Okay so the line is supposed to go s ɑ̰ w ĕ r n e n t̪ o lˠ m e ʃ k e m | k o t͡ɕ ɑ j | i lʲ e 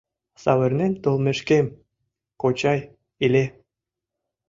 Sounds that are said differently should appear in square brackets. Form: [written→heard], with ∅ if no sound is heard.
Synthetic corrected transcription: s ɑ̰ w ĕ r n e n t̪ o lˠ m e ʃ k e m | k o t͡ɕ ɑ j | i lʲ e

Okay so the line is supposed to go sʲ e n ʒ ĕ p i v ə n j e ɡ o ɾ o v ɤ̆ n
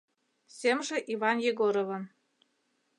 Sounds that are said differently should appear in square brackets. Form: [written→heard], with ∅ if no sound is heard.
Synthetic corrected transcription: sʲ e [n→m] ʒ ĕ [p→ʔ] i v [ə→ɑ] n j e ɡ o ɾ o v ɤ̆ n

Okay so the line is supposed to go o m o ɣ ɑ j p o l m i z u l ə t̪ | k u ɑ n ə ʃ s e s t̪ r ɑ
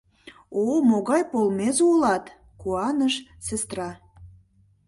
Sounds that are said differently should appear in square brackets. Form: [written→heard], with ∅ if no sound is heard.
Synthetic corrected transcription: o m o ɣ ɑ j p o l m [i→e] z u l [ə→ɑ] t̪ | k u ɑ n ə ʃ s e s t̪ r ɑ

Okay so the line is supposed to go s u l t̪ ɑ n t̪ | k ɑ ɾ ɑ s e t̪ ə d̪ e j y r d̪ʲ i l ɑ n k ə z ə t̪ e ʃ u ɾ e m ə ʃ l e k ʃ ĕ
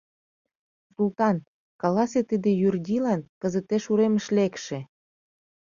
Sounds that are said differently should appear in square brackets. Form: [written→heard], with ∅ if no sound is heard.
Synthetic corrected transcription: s u l t̪ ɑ n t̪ | k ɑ [ɾ→l] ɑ s e t̪ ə d̪ e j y r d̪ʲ i l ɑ n k ə z ə t̪ e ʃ u ɾ e m ə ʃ l e k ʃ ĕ

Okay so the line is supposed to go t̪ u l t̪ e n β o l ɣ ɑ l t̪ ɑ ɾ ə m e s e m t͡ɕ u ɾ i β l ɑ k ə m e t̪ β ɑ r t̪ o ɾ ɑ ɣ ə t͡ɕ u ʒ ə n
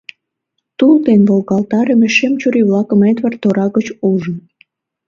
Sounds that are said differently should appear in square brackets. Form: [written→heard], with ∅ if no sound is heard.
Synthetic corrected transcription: t̪ u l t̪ e n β o l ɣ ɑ l t̪ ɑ ɾ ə m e [s→ʃ] e m t͡ɕ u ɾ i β l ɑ k ə m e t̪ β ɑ r t̪ o ɾ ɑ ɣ ə t͡ɕ u ʒ ə n

